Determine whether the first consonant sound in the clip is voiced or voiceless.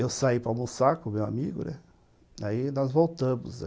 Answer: voiced